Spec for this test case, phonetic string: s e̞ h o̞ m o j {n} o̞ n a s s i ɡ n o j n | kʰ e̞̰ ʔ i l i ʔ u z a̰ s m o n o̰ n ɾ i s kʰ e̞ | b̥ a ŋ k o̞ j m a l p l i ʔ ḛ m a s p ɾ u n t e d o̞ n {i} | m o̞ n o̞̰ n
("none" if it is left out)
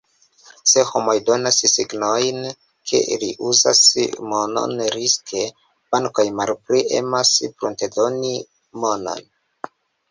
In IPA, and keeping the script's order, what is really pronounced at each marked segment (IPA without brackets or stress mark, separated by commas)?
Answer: d, i